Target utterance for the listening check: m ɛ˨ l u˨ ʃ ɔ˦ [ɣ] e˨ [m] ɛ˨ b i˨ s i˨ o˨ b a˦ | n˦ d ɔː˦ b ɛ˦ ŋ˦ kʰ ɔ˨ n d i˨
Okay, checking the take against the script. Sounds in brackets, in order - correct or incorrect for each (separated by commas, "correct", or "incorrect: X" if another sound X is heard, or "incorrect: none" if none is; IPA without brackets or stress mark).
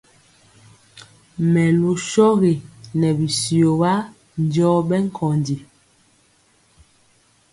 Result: correct, incorrect: n